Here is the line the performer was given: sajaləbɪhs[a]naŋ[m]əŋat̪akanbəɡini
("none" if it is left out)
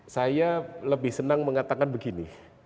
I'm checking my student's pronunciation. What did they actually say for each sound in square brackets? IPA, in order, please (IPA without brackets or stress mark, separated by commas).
ə, m